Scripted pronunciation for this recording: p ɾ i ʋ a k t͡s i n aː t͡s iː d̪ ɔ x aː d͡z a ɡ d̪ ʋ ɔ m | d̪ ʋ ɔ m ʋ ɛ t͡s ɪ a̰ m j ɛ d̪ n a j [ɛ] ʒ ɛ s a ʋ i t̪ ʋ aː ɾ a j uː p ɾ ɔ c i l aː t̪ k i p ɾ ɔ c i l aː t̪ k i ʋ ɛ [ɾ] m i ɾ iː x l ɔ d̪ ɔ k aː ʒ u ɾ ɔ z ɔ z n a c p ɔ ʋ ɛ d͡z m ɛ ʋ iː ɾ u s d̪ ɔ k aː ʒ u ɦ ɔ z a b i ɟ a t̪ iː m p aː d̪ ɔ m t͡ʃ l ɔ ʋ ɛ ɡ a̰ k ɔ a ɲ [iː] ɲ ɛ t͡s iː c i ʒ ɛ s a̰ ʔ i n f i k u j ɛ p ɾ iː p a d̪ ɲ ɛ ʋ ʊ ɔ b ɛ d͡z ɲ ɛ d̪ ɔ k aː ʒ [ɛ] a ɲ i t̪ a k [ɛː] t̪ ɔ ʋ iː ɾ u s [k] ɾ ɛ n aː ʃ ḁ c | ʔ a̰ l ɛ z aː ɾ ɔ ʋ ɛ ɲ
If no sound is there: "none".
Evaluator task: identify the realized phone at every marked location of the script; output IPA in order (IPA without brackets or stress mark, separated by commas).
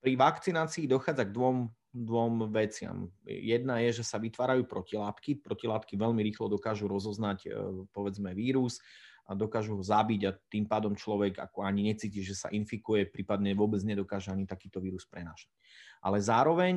ɛ, ʎ, i, ɛ, iː, p